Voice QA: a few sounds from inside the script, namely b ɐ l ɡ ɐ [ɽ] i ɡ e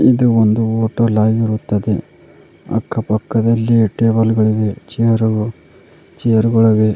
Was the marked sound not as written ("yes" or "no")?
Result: yes